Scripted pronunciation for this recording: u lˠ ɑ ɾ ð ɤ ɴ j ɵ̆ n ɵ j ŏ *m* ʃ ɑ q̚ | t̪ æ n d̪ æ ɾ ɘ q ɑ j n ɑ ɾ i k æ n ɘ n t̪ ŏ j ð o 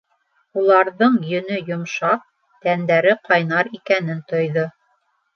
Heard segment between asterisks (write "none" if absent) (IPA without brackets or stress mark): m